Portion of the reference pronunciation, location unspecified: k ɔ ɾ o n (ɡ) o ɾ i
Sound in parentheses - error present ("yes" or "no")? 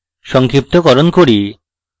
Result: yes